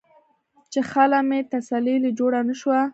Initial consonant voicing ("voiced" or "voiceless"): voiceless